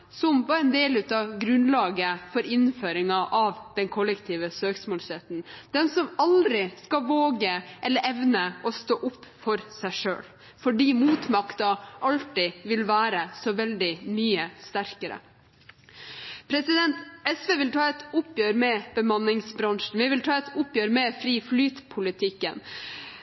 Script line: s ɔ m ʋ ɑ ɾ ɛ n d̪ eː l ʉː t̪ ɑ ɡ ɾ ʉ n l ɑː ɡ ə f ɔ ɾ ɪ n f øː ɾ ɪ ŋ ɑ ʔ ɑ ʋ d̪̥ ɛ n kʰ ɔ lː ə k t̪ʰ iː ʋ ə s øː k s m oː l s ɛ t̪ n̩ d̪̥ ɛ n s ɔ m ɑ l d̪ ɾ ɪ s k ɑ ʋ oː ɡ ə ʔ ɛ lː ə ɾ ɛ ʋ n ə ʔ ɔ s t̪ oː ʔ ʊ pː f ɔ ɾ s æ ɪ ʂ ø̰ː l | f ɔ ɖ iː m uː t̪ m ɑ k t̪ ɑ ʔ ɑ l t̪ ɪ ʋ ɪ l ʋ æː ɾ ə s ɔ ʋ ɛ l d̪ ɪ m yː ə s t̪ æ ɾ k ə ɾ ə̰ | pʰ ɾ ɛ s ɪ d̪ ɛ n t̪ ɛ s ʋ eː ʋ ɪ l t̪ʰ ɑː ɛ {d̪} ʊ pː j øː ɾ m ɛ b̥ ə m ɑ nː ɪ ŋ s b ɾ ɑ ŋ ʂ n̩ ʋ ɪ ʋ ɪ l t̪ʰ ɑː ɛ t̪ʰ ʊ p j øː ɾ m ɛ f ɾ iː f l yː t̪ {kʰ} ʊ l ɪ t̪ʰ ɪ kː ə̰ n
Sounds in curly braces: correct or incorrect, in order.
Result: incorrect, incorrect

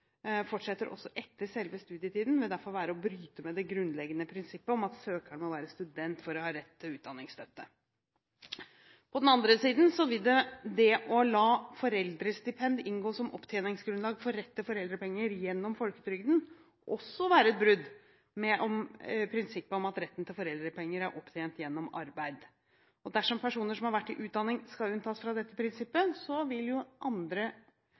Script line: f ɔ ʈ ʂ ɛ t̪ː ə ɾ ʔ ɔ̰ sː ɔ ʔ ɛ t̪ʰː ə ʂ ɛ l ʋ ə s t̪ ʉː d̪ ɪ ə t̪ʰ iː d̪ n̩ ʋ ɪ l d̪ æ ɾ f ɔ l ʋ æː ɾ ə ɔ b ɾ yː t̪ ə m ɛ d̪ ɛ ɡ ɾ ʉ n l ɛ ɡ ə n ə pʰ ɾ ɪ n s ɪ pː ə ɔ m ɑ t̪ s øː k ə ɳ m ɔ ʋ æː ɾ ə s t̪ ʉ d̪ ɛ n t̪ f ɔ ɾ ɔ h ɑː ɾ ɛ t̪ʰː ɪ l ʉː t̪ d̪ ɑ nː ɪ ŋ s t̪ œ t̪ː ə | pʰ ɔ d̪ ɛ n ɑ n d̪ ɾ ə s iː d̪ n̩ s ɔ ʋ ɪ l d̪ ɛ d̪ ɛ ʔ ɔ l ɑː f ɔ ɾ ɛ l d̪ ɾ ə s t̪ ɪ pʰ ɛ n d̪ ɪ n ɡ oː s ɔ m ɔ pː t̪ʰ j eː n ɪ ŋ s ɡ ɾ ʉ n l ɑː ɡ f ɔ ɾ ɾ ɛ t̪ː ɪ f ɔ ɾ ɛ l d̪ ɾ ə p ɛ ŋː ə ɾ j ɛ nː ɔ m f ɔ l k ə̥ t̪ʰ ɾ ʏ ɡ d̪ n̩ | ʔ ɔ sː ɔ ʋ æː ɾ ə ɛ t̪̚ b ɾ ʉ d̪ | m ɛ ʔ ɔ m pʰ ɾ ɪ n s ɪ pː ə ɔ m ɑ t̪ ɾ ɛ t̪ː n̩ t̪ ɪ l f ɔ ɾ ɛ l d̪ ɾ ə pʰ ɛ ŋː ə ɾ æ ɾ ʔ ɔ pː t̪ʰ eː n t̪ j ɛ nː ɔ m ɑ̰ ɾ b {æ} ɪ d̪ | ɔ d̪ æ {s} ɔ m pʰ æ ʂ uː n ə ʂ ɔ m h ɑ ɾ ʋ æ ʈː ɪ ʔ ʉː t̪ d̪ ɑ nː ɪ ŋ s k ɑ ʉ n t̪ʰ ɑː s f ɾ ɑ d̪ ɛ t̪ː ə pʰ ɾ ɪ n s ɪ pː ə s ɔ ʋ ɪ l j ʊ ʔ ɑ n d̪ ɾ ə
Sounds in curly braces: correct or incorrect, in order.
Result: correct, incorrect

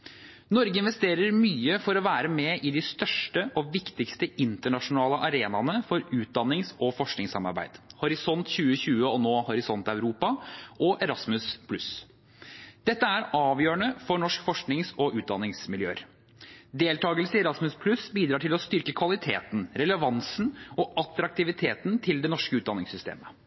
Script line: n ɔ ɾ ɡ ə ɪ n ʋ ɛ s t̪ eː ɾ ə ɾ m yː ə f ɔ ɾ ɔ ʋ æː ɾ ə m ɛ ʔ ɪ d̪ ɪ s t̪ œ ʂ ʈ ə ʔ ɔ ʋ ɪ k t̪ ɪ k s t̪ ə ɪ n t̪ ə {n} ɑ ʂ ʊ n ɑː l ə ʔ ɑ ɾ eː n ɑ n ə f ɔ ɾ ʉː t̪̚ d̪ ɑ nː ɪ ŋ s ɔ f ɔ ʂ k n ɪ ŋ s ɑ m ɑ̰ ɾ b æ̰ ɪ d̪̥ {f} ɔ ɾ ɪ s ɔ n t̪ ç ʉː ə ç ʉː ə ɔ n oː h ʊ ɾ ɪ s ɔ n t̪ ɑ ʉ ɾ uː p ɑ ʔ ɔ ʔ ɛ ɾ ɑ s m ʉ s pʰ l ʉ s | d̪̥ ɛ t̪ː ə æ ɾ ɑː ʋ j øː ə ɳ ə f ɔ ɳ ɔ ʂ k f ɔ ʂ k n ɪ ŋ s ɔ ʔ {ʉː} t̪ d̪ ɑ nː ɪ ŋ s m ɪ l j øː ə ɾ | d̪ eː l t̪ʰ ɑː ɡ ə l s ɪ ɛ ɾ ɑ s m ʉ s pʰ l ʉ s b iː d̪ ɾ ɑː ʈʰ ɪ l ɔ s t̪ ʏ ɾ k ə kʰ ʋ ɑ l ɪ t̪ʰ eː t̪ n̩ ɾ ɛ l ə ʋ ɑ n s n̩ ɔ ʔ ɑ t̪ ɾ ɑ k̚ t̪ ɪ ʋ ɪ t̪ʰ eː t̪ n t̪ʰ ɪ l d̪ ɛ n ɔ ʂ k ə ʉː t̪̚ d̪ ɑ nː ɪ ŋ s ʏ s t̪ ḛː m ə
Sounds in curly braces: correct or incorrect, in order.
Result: incorrect, incorrect, correct

